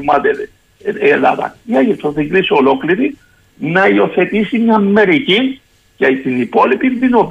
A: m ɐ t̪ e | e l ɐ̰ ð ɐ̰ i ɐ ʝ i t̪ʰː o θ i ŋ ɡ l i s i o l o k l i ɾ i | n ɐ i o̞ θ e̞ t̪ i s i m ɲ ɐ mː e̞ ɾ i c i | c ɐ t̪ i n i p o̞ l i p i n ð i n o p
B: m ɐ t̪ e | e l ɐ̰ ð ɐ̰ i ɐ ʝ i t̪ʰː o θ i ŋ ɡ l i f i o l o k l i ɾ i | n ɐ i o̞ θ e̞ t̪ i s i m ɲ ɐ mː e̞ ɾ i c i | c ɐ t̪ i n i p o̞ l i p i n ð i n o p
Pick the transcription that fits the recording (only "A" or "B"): A